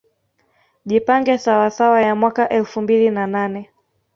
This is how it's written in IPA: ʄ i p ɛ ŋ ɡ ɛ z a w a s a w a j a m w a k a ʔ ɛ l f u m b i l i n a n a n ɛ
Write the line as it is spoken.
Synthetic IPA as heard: ʄ i p a ŋ ɡ ɛ s a w a s a w a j a m w a k a ʔ ɛ l f u m b i l i n a n a n ɛ